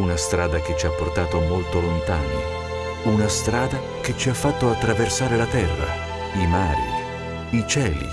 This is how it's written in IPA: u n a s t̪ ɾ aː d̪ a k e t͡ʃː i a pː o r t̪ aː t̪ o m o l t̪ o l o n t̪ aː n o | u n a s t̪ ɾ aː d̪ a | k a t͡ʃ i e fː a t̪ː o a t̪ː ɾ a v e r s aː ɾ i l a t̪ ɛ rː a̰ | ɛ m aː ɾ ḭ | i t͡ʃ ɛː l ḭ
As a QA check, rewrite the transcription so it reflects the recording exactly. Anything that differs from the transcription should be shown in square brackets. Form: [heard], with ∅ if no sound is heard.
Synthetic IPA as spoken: u n a s t̪ ɾ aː d̪ a k e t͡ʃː i a pː o r t̪ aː t̪ o m o l t̪ o l o n t̪ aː n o | u n a s t̪ ɾ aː d̪ a | k [e] t͡ʃ i [a] fː a t̪ː o a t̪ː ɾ a v e r s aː ɾ [e] l a t̪ ɛ rː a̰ | [i] m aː ɾ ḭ | i t͡ʃ ɛː l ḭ

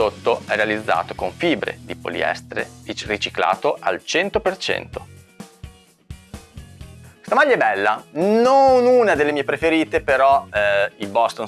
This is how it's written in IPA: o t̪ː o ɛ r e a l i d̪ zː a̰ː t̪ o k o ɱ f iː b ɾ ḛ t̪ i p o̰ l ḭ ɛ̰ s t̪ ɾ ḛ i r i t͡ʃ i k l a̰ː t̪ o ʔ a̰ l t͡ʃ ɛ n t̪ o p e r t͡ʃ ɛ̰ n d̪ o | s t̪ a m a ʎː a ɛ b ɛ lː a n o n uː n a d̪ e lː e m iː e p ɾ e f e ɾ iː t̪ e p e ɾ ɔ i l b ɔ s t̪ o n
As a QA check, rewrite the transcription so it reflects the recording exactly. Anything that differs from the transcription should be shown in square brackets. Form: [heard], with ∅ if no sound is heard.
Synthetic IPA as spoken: o t̪ː o ɛ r e a l i d̪ zː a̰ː t̪ o k o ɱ f iː b ɾ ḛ [d̪] i p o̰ l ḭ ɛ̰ s t̪ ɾ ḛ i r i t͡ʃ i k l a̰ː t̪ o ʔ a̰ l t͡ʃ ɛ n t̪ o p e r t͡ʃ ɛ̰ n [t̪] o | s t̪ a m a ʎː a ɛ b ɛ lː a n o n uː n a d̪ e lː e m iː e p ɾ e f e ɾ iː t̪ e p e ɾ ɔ i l b ɔ s t̪ o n

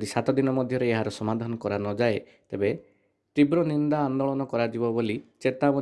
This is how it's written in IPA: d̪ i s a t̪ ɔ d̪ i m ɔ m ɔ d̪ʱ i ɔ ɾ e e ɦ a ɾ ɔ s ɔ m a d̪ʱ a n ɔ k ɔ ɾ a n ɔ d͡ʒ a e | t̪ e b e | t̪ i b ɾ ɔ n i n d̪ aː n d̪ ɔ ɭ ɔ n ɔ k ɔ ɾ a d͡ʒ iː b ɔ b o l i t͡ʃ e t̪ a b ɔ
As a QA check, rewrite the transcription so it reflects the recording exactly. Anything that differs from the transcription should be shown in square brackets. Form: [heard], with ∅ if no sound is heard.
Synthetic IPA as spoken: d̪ i s a t̪ ɔ d̪ i [n] ɔ m ɔ d̪ʱ [j] ɔ ɾ e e ɦ a ɾ ɔ s ɔ m a d̪ʱ a n ɔ k ɔ ɾ a n ɔ d͡ʒ a e | t̪ e b e | t̪ i b ɾ ɔ n i n d̪ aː n d̪ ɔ ɭ ɔ n ɔ k ɔ ɾ a d͡ʒ [i] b ɔ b o l i t͡ʃ e t̪ a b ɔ

